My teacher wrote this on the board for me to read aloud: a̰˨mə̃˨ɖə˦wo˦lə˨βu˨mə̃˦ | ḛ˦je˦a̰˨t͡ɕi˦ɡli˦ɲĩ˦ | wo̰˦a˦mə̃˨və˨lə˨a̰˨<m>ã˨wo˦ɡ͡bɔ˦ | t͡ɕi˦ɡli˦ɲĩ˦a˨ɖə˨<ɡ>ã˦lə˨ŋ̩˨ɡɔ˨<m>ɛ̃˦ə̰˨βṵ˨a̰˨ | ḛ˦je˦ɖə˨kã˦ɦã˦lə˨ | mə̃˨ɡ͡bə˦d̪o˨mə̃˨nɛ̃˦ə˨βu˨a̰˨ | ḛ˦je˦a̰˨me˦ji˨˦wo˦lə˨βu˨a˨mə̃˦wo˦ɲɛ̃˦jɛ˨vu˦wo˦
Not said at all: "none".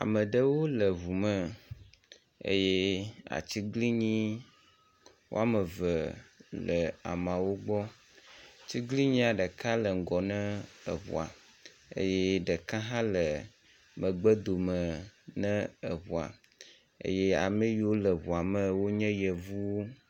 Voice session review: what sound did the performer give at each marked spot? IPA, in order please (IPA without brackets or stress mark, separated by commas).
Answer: m, k, n